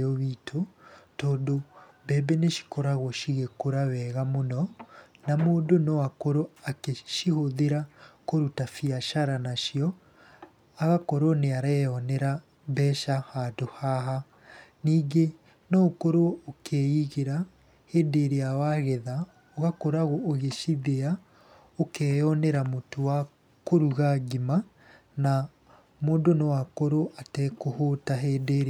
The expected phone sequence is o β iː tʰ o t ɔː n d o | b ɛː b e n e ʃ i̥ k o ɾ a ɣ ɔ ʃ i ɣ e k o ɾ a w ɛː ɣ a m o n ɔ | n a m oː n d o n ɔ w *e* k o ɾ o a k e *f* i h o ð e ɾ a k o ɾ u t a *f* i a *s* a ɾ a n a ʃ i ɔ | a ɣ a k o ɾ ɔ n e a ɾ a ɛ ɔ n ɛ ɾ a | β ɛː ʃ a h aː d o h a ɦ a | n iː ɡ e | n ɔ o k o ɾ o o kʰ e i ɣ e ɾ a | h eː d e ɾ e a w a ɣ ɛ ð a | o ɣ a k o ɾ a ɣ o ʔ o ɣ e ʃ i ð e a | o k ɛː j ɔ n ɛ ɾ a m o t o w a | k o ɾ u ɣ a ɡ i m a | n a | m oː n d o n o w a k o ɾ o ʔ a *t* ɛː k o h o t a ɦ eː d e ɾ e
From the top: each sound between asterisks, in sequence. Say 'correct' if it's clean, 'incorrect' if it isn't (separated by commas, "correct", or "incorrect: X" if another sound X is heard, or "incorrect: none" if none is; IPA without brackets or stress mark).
incorrect: a, incorrect: ʃ, correct, incorrect: ʃ, correct